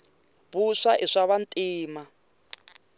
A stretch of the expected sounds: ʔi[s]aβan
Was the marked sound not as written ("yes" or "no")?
yes